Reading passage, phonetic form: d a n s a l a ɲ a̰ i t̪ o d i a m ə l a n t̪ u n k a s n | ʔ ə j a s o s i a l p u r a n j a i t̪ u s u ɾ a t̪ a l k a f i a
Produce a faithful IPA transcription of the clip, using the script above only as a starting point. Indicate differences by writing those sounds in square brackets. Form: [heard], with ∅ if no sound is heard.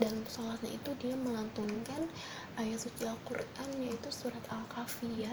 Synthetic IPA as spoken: d a n s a l a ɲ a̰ i t̪ [u] d i a m ə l a n t̪ u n k a [∅] n | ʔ [a] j a s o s i a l [k] u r a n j a i t̪ u s u ɾ a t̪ a l k a f i a